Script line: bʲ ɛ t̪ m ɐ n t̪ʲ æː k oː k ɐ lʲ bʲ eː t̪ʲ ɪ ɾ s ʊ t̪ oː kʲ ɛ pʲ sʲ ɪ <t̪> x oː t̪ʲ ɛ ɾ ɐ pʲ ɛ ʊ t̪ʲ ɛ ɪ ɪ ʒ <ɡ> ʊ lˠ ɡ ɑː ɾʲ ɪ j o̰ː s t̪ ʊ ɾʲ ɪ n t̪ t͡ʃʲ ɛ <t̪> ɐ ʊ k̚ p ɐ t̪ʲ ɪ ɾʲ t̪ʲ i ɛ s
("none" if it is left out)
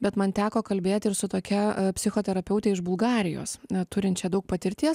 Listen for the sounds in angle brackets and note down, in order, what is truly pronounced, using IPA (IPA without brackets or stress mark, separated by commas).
none, b, d̪